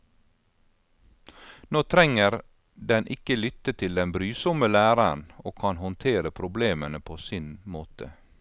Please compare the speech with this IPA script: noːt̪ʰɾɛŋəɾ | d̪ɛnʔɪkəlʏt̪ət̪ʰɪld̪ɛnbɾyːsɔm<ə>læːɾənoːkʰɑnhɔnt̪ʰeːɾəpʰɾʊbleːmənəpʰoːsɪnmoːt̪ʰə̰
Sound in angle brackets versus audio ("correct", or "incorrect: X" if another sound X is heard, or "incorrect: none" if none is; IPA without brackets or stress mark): correct